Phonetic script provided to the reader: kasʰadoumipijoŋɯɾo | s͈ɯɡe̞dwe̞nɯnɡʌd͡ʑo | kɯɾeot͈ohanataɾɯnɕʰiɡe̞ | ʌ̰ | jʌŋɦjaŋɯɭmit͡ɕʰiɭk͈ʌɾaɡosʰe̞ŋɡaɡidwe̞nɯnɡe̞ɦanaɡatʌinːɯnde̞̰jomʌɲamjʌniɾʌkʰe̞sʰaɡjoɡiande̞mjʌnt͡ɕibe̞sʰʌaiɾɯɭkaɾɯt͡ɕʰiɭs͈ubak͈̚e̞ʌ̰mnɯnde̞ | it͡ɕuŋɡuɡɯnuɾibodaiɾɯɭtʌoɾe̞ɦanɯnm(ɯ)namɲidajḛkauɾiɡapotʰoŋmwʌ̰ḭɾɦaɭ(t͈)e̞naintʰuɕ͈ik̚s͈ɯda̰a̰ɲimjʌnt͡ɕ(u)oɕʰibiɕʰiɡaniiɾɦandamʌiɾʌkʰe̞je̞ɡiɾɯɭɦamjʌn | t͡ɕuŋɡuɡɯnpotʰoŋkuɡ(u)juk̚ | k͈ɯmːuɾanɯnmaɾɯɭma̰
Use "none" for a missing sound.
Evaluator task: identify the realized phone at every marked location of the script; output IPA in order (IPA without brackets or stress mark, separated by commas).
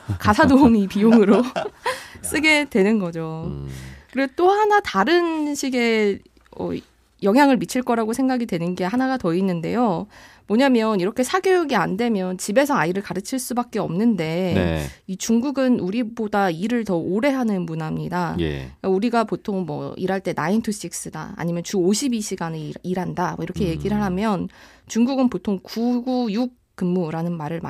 u, t͈, u, u